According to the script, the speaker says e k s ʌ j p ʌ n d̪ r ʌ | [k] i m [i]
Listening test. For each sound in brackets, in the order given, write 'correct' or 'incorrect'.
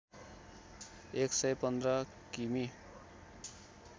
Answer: correct, correct

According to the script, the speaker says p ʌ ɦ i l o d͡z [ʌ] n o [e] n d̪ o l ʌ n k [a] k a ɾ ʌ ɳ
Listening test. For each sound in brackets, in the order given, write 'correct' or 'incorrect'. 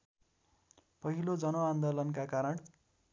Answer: correct, incorrect: a, correct

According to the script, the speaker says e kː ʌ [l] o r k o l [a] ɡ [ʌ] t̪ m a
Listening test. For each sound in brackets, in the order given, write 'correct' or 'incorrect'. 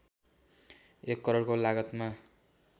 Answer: incorrect: ɾ, correct, correct

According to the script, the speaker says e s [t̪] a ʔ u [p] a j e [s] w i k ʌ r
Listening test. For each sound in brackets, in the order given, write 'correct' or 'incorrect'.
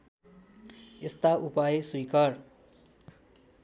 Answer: correct, correct, correct

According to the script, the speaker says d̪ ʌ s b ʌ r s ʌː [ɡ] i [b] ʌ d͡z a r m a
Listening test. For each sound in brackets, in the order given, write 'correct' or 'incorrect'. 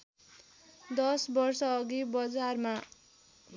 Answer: correct, correct

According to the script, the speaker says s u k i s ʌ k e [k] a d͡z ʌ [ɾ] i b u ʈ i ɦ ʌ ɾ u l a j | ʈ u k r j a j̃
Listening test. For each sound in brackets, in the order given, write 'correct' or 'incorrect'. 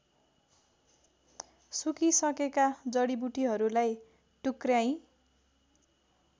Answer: correct, incorrect: ɽ

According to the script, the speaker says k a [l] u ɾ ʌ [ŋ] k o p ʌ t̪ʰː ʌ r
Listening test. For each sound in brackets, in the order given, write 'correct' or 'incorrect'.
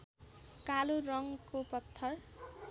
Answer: correct, correct

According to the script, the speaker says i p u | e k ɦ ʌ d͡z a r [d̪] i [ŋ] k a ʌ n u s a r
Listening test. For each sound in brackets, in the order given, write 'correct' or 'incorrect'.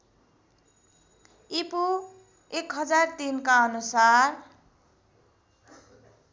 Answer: incorrect: t̪, incorrect: n

